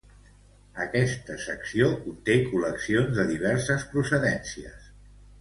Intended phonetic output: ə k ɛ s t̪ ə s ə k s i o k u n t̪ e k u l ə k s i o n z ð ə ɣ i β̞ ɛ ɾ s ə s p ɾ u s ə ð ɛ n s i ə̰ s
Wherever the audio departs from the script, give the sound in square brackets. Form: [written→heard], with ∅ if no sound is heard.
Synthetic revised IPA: ə k ɛ s t̪ ə s ə k s i o k u n t̪ e k u l ə k s i o n z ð ə [ɣ→ð] i β̞ ɛ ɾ s ə s p ɾ u s ə ð ɛ n s i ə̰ s